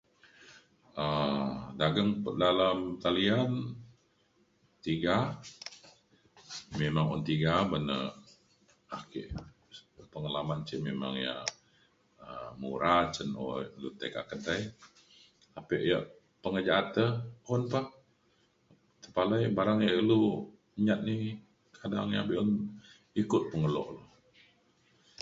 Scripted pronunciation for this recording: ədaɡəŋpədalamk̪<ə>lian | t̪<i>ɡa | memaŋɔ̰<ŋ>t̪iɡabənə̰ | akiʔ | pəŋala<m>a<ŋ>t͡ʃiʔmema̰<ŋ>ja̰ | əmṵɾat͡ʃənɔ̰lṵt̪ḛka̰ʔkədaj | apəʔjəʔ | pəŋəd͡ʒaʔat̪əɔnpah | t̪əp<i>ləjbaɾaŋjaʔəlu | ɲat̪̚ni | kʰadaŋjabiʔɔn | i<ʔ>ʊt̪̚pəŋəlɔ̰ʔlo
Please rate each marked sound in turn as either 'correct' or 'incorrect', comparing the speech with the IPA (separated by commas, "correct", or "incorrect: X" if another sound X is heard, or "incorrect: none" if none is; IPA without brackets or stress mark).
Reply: incorrect: a, correct, incorrect: n, correct, incorrect: n, correct, incorrect: a, incorrect: k